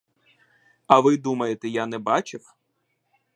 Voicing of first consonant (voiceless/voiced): voiced